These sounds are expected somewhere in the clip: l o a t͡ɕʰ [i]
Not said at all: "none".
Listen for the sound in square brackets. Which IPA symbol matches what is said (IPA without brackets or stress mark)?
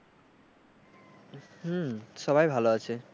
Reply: e